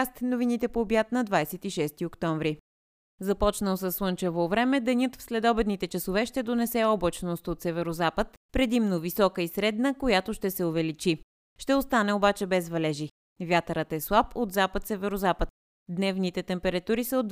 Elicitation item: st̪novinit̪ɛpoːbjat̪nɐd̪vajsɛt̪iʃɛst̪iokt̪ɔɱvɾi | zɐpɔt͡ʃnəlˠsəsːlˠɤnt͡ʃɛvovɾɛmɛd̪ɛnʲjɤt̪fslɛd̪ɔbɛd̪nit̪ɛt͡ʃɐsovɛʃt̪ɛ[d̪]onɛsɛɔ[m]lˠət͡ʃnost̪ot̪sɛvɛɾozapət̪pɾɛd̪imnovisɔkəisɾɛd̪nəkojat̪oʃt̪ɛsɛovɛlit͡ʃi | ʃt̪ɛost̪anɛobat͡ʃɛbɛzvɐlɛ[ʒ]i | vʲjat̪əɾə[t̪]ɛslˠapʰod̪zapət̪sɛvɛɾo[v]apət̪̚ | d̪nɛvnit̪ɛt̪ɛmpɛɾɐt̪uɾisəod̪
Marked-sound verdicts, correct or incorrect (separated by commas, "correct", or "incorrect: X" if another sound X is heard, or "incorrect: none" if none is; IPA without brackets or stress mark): correct, incorrect: b, correct, correct, incorrect: z